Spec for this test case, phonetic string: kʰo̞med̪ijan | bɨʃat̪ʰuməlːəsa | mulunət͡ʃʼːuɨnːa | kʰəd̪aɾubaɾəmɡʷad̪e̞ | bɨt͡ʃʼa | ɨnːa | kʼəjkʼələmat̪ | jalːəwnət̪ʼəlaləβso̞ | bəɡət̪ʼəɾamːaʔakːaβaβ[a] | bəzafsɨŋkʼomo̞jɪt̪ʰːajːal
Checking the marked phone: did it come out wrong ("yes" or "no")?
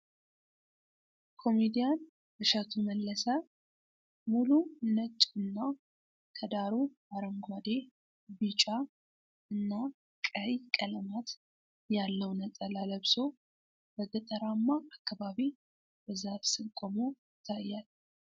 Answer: yes